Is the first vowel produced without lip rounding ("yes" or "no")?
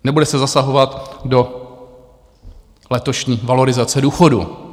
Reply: yes